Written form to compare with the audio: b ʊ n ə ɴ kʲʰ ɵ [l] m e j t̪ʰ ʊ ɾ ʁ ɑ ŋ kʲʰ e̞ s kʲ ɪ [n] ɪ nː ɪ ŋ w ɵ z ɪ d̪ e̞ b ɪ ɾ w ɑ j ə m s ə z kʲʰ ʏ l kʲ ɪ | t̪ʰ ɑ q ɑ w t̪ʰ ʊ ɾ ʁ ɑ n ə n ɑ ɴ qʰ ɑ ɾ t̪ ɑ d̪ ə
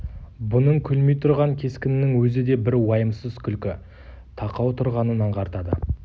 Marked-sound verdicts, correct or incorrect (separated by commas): correct, correct